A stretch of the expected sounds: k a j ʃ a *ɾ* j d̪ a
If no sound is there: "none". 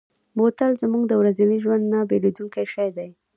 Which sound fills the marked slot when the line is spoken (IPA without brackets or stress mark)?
none